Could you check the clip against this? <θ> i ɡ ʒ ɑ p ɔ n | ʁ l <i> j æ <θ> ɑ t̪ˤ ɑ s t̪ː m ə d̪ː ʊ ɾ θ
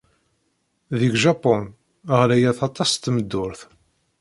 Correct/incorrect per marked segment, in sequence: incorrect, incorrect, correct

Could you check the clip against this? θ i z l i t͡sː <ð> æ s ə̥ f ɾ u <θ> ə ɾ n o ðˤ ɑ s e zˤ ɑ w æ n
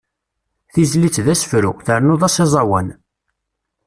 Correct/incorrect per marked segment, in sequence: correct, correct

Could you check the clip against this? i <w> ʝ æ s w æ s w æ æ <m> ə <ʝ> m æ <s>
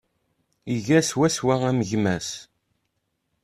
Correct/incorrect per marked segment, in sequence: incorrect, correct, correct, correct

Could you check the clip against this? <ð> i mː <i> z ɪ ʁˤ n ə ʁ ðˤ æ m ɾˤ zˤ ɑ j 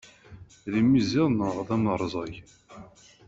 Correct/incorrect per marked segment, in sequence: correct, correct

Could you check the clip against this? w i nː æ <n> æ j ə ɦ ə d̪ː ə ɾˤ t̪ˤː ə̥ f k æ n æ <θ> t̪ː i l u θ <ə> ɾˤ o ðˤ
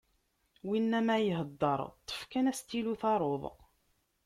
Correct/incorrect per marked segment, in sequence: incorrect, incorrect, incorrect

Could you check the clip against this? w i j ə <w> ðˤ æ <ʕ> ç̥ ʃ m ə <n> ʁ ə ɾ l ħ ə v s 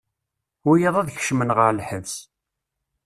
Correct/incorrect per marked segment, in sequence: incorrect, incorrect, correct

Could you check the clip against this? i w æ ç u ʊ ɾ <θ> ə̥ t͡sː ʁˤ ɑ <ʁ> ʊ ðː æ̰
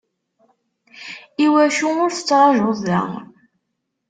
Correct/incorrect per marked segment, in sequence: correct, incorrect

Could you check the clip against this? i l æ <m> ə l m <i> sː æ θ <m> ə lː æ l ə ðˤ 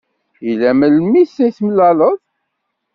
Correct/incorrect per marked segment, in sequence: correct, correct, correct

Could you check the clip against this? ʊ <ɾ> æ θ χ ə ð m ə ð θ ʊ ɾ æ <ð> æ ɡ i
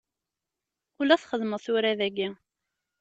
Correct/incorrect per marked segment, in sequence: incorrect, correct

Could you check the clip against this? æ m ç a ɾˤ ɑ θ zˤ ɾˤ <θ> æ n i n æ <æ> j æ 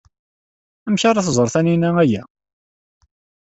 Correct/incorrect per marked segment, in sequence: correct, correct

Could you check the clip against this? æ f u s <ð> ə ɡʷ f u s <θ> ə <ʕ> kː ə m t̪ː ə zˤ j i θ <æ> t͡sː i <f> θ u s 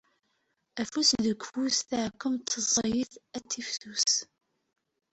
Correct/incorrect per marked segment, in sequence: correct, correct, correct, correct, correct

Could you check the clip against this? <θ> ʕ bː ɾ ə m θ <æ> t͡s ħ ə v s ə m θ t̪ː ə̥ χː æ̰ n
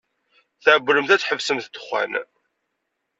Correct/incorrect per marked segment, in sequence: correct, correct

